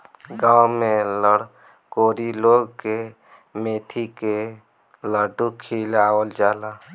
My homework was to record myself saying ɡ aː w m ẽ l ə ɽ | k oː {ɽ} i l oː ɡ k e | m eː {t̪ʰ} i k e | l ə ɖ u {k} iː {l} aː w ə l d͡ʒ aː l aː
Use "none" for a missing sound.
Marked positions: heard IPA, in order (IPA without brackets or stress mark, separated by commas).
ɾ, t̪ʰ, kʰ, l